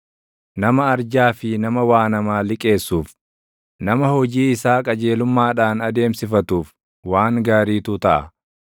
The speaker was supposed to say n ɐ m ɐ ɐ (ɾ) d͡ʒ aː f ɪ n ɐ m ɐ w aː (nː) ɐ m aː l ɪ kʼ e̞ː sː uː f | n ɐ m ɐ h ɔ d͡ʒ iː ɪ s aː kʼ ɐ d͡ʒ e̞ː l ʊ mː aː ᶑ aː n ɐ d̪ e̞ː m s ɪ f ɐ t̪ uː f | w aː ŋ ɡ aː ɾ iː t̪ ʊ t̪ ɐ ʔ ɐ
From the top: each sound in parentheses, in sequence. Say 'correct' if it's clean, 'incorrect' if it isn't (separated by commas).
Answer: correct, incorrect